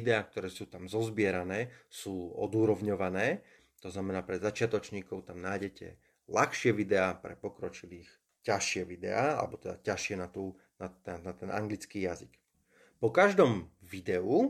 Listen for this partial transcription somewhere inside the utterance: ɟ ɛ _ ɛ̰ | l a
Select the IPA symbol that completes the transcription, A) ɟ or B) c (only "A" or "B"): B